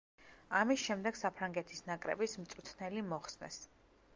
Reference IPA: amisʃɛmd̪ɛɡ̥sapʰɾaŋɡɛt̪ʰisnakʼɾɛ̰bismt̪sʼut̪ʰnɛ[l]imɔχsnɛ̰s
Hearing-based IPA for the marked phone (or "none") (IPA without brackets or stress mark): l